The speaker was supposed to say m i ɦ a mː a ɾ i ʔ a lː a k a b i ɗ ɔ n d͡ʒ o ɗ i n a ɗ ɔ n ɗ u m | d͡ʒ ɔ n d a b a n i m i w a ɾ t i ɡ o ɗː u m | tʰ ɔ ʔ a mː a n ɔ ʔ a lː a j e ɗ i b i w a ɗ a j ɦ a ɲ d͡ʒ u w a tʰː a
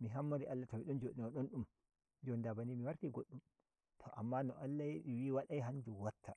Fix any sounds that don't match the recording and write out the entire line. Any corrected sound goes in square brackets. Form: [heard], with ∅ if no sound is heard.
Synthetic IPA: m i ɦ a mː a ɾ i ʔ a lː a [t] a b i ɗ ɔ n d͡ʒ o ɗ i n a ɗ ɔ n ɗ u m | d͡ʒ ɔ n d a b a n i m i w a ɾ t i ɡ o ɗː u m | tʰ ɔ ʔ a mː a n ɔ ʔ a lː a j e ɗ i [w] i w a ɗ a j ɦ a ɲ d͡ʒ u w a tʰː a